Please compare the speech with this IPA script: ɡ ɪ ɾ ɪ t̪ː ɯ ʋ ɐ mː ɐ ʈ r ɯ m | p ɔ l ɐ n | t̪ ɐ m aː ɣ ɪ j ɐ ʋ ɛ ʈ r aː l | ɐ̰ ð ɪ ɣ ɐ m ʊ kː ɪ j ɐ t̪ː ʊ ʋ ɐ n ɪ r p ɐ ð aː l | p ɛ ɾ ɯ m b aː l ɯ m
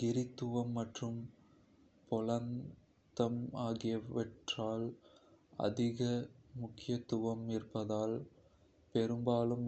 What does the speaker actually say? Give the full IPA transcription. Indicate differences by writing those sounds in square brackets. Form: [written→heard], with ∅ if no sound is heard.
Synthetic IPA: ɡ ɪ ɾ ɪ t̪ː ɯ ʋ ɐ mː ɐ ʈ r ɯ m | p ɔ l ɐ n | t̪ ɐ m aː ɣ ɪ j ɐ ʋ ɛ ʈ r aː l | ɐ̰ ð ɪ ɣ ɐ m ʊ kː ɪ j ɐ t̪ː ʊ ʋ ɐ [n→m] ɪ r p ɐ ð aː l | p ɛ ɾ ɯ m b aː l ɯ m